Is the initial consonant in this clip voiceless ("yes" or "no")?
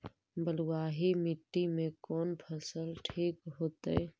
no